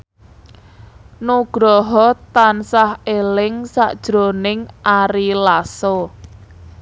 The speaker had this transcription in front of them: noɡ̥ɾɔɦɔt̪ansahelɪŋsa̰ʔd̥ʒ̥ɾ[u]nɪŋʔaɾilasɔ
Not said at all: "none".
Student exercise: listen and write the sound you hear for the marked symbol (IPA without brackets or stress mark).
o